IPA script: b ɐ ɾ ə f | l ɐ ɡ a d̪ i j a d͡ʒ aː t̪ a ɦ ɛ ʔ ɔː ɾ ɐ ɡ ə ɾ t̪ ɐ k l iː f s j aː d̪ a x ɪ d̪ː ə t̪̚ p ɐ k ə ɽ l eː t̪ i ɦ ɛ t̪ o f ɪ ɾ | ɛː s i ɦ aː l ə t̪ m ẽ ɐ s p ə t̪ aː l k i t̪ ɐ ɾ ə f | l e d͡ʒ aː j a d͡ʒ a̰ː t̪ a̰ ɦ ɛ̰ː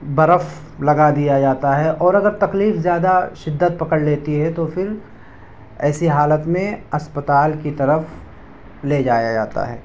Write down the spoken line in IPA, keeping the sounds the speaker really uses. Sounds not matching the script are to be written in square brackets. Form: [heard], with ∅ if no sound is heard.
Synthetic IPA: b ɐ ɾ ə f | l ɐ ɡ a d̪ i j a d͡ʒ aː t̪ a ɦ ɛ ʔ ɔː ɾ ɐ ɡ ə ɾ t̪ ɐ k l iː f [z] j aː d̪ a [ʃ] ɪ d̪ː ə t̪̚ p ɐ k ə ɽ l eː t̪ i ɦ ɛ t̪ o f ɪ ɾ | ɛː s i ɦ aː l ə t̪ m ẽ ɐ s p ə t̪ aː l k i t̪ ɐ ɾ ə f | l e d͡ʒ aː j a d͡ʒ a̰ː t̪ a̰ ɦ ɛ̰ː